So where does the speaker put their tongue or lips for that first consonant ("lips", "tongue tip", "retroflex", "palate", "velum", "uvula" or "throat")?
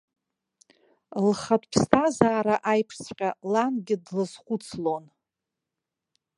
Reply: tongue tip